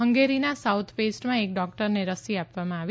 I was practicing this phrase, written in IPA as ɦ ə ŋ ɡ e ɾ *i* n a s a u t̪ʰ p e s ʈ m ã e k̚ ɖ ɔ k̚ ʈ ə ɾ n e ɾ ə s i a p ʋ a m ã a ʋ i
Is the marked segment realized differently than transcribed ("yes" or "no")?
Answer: no